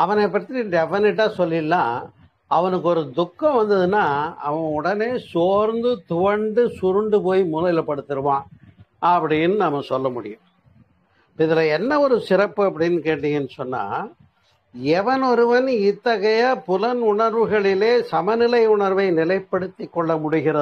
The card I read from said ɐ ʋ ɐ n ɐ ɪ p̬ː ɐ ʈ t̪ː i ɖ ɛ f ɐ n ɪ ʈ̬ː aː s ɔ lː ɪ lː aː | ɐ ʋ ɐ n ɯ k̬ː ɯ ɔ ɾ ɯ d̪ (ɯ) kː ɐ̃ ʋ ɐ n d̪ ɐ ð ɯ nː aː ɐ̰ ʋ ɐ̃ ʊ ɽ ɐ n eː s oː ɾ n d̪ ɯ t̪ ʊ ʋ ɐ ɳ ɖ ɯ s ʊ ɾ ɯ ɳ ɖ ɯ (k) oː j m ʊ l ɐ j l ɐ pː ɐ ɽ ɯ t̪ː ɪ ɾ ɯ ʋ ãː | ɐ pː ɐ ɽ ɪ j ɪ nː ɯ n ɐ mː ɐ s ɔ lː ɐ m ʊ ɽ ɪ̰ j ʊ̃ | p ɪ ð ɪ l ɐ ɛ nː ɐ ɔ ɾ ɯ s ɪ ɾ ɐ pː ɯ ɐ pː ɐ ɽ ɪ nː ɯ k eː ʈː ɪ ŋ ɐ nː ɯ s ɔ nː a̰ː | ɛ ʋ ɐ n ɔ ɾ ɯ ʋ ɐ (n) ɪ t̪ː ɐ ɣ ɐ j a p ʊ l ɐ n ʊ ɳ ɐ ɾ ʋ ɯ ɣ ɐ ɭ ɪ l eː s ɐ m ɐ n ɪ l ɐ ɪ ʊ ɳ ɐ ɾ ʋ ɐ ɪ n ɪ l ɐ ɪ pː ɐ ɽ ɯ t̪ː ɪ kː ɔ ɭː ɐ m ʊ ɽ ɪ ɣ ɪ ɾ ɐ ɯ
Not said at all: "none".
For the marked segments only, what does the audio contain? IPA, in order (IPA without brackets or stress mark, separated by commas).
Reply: ʊ, p, n